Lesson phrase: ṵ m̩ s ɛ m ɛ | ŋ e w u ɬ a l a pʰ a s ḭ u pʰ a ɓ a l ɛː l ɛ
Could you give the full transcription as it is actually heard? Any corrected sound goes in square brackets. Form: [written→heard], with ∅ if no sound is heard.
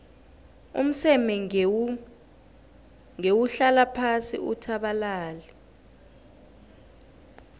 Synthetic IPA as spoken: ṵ m̩ s ɛ m ɛ | ŋ e w u ɬ a l a pʰ a s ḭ u [pʰ→tʰ] a ɓ a l [ɛː→aː] l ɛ